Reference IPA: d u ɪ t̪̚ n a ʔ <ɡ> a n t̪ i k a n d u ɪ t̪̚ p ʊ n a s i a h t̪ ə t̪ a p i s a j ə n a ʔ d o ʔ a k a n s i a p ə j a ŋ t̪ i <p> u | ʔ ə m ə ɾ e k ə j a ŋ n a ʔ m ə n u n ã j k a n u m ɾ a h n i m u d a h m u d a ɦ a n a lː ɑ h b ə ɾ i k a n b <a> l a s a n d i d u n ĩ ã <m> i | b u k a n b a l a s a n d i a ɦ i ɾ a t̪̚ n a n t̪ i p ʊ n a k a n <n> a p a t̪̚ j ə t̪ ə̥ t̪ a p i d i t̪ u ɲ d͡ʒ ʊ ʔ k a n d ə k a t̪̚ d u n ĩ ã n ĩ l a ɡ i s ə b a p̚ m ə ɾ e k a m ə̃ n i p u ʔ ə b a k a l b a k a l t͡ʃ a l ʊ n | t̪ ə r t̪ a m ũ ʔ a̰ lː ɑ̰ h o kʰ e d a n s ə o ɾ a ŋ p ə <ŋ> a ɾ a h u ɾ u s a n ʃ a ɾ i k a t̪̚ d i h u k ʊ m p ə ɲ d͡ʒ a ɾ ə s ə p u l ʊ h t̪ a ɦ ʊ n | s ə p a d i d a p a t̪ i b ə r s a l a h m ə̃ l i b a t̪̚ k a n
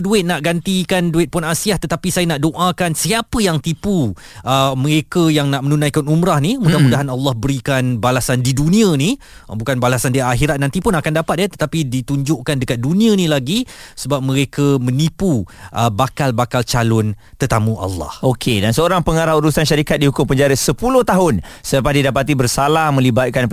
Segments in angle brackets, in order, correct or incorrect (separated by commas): correct, correct, correct, incorrect, incorrect, correct